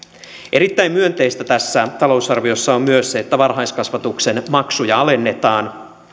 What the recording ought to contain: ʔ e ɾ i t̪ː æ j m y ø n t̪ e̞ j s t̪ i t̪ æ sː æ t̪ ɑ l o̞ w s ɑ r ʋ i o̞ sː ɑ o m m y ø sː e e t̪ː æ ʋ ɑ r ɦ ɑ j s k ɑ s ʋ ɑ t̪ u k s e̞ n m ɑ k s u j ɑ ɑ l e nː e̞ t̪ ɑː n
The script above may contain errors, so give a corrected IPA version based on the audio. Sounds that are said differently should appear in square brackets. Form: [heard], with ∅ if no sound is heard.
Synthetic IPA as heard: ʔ e ɾ i t̪ː æ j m y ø n t̪ e̞ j s t̪ [æ] t̪ æ sː æ t̪ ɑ l o̞ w s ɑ r ʋ i o̞ sː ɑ o m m y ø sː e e t̪ː æ ʋ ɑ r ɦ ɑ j s k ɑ s ʋ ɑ t̪ u k s e̞ n m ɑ k s u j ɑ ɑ l e nː e̞ t̪ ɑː n